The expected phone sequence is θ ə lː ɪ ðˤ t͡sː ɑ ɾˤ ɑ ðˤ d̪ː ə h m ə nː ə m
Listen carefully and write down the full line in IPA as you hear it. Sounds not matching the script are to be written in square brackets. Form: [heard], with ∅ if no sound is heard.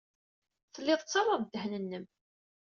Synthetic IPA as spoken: θ ə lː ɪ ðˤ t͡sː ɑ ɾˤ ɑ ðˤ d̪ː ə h [n] ə nː ə m